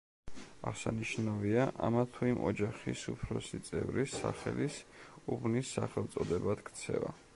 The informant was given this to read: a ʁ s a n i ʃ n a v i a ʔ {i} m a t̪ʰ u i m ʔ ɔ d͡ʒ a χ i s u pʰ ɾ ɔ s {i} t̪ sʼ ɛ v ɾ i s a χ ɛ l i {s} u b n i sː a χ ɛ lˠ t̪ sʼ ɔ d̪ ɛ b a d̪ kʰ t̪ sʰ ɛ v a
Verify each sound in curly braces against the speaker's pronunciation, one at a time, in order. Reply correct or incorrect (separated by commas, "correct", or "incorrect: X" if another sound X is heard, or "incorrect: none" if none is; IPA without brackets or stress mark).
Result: incorrect: a, correct, correct